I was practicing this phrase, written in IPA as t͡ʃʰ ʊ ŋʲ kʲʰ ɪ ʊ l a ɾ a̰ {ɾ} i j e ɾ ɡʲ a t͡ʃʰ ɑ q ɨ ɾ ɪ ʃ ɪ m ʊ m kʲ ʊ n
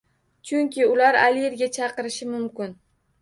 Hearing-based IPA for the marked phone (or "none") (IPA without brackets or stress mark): l